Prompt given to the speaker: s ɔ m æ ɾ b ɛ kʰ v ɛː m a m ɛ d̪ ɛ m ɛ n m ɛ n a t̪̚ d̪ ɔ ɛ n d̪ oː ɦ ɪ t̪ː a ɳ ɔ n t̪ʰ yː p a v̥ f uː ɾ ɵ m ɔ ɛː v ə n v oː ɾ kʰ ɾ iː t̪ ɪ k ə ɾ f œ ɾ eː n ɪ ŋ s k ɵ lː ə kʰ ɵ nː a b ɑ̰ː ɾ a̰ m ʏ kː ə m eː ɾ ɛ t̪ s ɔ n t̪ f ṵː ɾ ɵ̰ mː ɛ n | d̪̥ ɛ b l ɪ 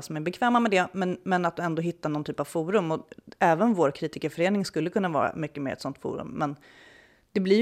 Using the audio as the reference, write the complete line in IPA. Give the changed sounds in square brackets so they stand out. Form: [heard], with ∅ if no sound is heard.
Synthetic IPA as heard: s ɔ m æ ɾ b ɛ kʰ v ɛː m a m ɛ d̪ ɛ m ɛ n m ɛ n a t̪̚ d̪ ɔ ɛ n d̪ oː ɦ ɪ t̪ː a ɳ ɔ n t̪ʰ yː p a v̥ f uː ɾ ɵ m ɔ ɛː v ə n v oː ɾ kʰ ɾ iː t̪ ɪ k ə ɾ f œ ɾ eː n ɪ ŋ s k ɵ lː ə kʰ ɵ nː a [v] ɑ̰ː ɾ a̰ m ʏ kː ə m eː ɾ ɛ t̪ s ɔ n t̪ f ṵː ɾ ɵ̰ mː ɛ n | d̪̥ ɛ b l ɪ